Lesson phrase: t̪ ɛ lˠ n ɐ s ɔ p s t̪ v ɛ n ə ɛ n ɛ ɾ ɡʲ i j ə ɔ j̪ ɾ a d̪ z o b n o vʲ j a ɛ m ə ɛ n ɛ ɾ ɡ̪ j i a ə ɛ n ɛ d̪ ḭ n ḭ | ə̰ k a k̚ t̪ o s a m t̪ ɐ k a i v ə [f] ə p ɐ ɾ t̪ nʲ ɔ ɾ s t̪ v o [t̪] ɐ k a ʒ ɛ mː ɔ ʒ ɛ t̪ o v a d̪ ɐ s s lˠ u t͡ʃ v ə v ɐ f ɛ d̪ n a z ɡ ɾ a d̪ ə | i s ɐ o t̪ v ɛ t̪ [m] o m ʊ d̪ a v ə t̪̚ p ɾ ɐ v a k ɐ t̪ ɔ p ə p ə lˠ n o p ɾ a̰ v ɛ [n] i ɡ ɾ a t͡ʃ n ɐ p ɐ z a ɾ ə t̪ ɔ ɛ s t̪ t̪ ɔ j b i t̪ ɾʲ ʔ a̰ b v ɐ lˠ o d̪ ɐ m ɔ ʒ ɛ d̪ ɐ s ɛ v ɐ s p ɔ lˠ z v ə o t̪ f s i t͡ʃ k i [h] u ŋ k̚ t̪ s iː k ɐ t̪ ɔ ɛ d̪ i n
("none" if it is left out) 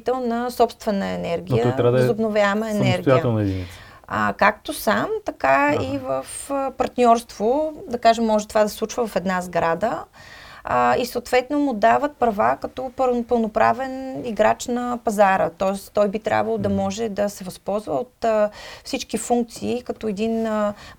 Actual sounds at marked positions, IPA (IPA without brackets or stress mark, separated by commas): f, d̪, n, n, f